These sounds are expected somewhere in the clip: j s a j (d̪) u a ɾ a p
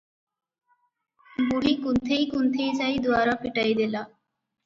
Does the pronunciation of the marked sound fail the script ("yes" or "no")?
no